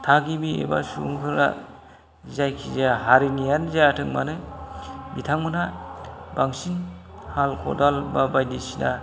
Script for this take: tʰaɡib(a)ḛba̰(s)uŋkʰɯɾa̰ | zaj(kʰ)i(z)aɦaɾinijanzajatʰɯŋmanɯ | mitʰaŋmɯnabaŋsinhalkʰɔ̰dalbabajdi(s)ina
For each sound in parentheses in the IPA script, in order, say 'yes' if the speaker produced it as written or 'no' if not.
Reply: no, yes, yes, yes, yes

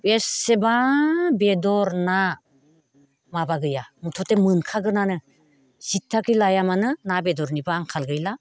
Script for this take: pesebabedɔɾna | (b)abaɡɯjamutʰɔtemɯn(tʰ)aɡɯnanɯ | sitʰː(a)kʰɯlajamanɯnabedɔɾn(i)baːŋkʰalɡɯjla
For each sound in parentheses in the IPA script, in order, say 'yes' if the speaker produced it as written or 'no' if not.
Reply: no, no, yes, yes

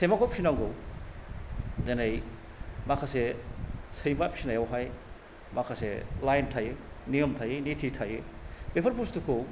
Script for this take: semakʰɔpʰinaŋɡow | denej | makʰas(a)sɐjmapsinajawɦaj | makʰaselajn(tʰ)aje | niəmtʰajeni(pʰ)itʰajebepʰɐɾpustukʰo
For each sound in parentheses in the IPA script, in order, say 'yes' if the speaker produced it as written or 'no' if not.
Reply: no, yes, no

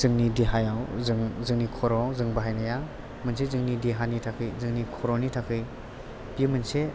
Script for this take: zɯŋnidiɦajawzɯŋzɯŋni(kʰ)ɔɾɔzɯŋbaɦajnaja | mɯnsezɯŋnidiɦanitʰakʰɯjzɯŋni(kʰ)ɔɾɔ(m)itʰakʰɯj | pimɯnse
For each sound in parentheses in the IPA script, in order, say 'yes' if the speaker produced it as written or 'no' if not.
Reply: yes, yes, no

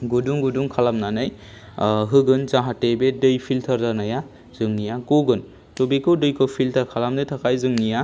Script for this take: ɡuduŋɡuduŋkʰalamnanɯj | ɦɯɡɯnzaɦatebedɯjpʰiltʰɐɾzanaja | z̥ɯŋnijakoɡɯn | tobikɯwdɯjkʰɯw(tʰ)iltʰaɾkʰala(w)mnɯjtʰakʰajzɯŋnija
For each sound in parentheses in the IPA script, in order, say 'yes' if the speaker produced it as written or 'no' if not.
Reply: no, no

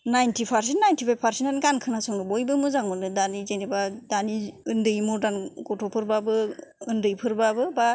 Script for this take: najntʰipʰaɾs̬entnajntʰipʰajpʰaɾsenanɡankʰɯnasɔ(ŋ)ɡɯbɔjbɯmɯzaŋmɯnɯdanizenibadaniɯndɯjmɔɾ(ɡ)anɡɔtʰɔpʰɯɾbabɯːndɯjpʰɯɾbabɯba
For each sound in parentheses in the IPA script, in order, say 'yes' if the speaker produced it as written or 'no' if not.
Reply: yes, no

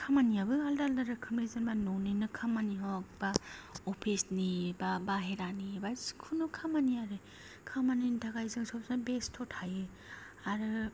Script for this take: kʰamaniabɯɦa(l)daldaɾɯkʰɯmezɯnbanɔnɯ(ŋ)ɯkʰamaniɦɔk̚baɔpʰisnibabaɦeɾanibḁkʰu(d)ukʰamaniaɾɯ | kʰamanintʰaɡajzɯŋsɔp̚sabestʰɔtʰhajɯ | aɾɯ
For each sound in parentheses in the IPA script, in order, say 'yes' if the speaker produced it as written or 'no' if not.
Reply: yes, no, no

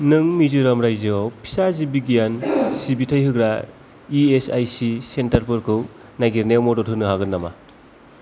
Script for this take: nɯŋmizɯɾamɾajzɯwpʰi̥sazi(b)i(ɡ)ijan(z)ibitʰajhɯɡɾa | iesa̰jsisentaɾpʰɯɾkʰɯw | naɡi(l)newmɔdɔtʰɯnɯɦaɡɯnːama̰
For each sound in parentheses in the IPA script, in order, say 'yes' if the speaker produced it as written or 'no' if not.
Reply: yes, yes, no, no

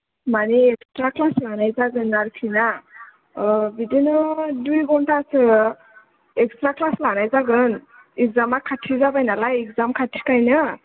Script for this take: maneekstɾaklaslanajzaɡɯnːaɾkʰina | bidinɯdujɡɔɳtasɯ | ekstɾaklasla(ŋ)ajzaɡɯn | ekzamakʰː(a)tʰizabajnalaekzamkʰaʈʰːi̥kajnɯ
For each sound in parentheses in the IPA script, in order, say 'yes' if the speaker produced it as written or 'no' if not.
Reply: no, yes

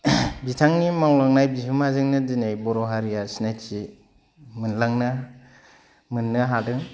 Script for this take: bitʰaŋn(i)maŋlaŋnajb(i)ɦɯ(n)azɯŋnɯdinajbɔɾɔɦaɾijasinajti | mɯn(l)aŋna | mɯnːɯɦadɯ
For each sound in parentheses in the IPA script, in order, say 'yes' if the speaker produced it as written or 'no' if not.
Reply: yes, yes, no, yes

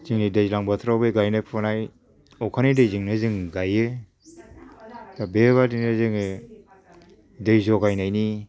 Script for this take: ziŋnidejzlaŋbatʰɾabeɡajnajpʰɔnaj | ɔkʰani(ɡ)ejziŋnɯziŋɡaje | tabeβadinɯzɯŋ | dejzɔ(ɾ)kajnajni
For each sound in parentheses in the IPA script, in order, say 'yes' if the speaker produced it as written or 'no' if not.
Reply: no, no

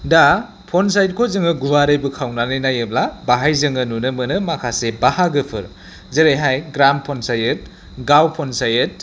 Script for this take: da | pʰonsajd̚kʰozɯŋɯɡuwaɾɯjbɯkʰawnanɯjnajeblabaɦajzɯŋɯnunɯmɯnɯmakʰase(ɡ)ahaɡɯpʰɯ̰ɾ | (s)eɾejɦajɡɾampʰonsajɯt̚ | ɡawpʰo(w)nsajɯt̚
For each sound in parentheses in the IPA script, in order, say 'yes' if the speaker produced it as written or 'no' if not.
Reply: no, no, no

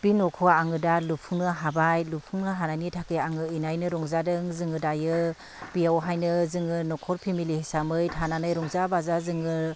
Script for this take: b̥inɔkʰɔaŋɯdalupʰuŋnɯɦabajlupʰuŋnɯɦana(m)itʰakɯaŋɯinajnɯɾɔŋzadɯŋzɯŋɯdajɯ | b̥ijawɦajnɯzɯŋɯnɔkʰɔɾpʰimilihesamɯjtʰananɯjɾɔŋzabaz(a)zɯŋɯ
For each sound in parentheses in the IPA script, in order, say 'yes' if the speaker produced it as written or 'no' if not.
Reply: no, yes

